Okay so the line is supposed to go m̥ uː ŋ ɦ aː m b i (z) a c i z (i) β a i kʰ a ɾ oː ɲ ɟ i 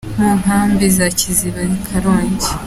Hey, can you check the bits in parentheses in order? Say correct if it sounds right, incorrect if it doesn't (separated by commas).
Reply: correct, correct